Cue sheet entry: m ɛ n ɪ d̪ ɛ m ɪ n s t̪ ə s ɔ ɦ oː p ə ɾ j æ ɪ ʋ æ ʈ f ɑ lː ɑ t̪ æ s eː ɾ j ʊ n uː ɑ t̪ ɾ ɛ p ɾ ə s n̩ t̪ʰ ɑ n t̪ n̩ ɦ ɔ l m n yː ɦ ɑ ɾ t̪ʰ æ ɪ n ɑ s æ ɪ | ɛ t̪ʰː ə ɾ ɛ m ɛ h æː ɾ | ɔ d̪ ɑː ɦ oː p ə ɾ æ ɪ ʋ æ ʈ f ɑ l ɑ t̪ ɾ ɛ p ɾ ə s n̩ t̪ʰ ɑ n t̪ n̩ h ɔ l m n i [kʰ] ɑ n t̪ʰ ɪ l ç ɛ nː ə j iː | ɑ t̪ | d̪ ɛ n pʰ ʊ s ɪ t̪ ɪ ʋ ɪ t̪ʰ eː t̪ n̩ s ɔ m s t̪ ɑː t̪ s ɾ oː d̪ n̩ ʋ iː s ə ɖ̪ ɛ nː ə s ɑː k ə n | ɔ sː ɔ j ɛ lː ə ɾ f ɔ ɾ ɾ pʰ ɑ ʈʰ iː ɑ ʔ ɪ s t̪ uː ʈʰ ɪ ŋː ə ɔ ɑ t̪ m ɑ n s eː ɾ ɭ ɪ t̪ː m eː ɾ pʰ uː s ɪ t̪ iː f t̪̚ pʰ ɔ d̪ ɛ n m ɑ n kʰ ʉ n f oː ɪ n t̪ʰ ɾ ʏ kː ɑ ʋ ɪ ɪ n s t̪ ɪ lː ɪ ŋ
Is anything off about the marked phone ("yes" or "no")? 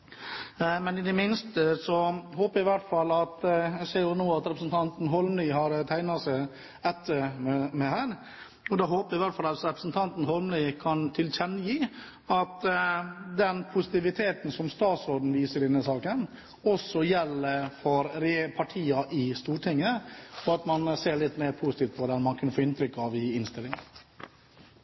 no